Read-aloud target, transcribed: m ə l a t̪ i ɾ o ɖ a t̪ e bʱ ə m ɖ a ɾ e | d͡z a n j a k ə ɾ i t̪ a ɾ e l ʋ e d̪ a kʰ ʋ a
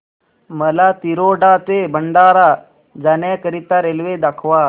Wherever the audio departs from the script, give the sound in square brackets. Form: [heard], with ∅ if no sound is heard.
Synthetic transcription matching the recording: m ə l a t̪ i ɾ o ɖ a t̪ e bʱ ə [ɳ] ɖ a ɾ [a] | d͡z a n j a k ə ɾ i t̪ a ɾ e l ʋ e d̪ a kʰ ʋ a

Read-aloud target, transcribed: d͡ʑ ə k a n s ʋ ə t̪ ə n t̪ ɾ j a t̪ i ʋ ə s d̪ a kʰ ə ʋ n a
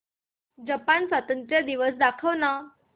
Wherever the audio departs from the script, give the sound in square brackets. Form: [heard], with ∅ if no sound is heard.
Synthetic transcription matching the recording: d͡ʑ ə [p] a n s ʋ ə t̪ ə n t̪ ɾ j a [d̪] i ʋ ə s d̪ a kʰ ə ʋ n a

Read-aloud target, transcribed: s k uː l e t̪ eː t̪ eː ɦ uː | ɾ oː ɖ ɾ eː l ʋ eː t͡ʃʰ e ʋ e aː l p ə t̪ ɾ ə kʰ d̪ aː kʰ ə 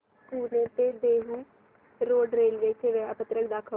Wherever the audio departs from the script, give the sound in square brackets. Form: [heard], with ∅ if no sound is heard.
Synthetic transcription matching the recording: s k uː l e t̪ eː [d̪] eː ɦ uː | ɾ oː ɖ ɾ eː l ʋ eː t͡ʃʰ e ʋ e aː [∅] p ə t̪ ɾ ə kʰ d̪ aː kʰ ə

